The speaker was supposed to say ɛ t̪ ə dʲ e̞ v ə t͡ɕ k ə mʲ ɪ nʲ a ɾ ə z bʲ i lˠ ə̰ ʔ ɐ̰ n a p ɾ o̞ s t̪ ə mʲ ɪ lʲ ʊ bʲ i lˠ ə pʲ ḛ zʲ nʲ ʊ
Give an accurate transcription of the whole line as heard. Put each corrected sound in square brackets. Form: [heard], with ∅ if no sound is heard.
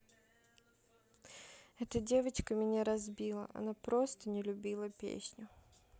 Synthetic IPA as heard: ɛ t̪ ə dʲ e̞ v ə t͡ɕ k ə mʲ ɪ nʲ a ɾ [ɐ] z bʲ i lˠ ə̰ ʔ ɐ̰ n a p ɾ o̞ s t̪ ə [nʲ] ɪ lʲ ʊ bʲ i lˠ ə pʲ ḛ [sʲ] nʲ ʊ